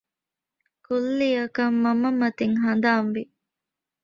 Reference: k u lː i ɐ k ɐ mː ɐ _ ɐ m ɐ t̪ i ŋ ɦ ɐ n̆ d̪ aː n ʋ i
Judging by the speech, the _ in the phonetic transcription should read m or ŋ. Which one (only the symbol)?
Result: m